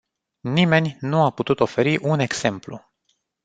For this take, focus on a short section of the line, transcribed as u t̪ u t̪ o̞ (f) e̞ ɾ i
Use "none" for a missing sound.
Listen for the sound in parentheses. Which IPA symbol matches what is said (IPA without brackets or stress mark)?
f